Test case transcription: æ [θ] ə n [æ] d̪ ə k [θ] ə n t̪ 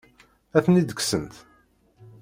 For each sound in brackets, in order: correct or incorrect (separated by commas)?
correct, incorrect, incorrect